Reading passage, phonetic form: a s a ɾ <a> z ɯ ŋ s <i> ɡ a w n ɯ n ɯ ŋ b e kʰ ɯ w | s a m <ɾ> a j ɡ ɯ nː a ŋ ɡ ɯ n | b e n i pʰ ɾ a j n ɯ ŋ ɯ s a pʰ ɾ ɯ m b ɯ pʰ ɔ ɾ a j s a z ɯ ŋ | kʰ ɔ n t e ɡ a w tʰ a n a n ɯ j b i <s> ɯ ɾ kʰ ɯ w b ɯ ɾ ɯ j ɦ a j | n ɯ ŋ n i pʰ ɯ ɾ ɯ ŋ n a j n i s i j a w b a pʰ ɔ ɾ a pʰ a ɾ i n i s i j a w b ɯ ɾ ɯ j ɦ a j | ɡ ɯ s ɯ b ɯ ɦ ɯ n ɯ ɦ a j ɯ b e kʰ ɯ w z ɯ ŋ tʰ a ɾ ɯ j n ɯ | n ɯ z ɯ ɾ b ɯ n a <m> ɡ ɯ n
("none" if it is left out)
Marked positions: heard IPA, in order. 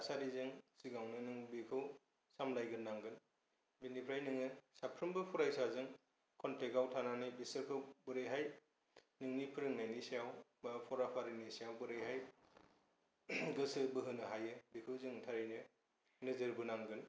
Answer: i, i, l, s, ŋ

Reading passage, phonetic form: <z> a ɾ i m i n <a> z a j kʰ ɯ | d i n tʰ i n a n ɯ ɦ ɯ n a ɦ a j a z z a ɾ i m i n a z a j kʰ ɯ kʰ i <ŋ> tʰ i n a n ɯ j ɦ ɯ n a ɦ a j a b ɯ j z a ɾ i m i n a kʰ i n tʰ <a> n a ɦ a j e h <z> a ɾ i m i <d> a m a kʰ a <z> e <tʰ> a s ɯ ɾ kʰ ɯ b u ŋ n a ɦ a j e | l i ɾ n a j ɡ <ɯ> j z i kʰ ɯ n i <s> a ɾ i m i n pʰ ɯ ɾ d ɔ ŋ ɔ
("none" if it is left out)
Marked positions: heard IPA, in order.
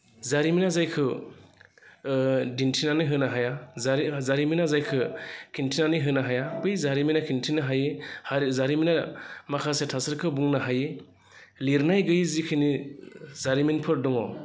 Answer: z, a, n, i, z, n, s, tʰ, ɯ, z

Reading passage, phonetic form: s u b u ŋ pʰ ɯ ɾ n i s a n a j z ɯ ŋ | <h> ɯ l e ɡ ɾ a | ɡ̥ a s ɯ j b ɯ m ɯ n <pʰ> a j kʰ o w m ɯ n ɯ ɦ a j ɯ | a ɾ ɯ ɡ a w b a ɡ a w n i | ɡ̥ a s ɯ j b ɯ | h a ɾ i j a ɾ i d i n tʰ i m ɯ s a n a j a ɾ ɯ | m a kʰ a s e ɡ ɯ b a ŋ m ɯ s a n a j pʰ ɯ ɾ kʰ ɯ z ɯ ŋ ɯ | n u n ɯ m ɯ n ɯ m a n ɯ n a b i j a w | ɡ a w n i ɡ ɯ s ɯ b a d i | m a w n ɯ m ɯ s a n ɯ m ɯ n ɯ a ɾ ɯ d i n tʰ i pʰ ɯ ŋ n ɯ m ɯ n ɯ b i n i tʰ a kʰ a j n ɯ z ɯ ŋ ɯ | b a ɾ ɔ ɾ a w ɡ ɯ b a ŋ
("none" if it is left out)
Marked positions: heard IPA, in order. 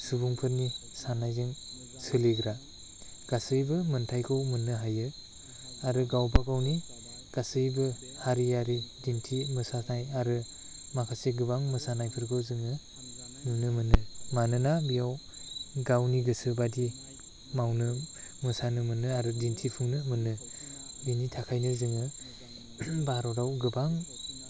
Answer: s, tʰ

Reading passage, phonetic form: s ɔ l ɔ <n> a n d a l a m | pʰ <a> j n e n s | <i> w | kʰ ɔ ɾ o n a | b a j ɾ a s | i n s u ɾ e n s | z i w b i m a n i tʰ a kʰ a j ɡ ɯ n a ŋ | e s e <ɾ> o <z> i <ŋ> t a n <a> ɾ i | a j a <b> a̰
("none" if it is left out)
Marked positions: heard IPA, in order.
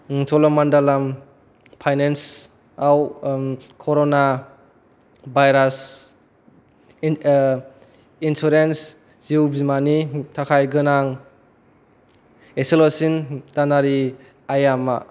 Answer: m, a, a, l, s, n, a, m

